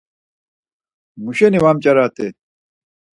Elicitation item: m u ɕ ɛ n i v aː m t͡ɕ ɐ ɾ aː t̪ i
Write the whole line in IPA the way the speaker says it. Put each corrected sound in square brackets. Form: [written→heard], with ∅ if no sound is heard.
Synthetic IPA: m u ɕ [ɛ→e] n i [v→w] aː m t͡ɕ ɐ ɾ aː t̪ [i→e]